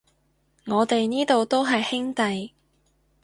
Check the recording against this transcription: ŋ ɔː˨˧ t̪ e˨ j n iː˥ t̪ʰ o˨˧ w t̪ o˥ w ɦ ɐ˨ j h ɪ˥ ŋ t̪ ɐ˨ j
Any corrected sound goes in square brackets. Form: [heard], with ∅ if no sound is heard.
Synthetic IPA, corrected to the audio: ŋ ɔː˨˧ t̪ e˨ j n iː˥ [t̪] o˨˧ w t̪ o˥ w ɦ ɐ˨ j h ɪ˥ ŋ t̪ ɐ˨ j